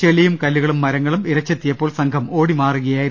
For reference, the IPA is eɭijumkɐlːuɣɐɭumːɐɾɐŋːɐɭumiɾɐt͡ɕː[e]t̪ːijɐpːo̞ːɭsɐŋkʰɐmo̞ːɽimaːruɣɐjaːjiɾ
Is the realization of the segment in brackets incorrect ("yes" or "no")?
no